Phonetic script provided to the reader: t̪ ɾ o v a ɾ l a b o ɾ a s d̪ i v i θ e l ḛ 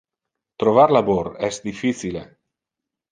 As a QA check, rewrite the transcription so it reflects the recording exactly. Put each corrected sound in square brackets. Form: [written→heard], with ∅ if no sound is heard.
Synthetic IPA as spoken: t̪ ɾ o v a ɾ l a b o ɾ [a→ɛ] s d̪ i [v→f] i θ [e→i] l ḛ